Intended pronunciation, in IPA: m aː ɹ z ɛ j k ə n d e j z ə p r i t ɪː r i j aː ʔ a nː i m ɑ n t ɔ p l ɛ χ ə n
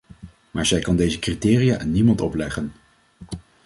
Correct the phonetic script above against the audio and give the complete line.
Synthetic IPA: m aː ɹ z ɛ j k ɑ n d e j z ə k r i t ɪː r i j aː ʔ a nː i m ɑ n t ɔ p l ɛ χ ə n